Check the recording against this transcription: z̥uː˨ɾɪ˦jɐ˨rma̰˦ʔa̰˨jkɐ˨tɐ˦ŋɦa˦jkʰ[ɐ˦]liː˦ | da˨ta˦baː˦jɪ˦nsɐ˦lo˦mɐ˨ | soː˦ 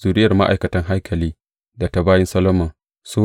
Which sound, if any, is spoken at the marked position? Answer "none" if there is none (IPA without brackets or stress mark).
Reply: ɐ˨